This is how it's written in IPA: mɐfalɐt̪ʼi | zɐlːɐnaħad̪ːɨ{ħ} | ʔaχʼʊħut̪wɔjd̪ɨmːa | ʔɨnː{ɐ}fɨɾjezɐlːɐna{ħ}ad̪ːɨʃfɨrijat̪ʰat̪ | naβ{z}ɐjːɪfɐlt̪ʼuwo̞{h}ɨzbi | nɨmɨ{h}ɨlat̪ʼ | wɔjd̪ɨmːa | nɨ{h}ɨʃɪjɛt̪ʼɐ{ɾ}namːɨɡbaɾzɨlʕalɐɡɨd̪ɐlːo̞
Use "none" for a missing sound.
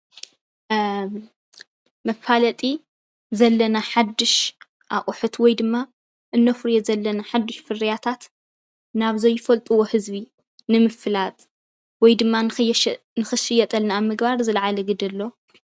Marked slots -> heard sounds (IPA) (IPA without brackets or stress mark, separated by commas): ʃ, ɐ, ħ, z, h, f, x, l